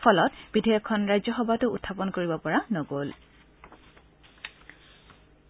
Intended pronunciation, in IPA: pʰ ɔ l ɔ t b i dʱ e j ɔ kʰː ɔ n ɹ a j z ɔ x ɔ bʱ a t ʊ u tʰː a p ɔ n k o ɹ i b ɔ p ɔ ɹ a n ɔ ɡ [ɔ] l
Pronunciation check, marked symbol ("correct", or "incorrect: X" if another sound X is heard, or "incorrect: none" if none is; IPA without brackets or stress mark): incorrect: o